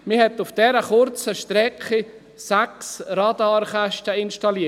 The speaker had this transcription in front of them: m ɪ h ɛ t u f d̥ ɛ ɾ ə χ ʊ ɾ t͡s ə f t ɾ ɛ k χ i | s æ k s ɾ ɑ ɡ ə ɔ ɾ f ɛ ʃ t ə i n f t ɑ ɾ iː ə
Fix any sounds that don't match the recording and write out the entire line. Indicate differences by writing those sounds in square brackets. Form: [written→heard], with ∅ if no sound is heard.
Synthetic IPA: m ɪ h ɛ t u f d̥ ɛ ɾ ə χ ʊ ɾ t͡s ə [f→ʃ] t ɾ ɛ k χ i | s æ k s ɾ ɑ [ɡ→d] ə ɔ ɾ [f→χ] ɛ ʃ t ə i n [f→ʃ] t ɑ [ɾ→l] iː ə